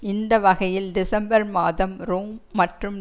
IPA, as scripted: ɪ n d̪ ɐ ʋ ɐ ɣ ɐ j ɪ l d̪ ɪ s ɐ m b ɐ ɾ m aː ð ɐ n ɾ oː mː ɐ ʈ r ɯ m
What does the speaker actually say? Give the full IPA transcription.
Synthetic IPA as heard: ɪ n d̪ ɐ ʋ ɐ ɣ ɐ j ɪ l d̪ ɪ s ɐ m b ɐ ɾ m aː ð ɐ m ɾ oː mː ɐ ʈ r ɯ m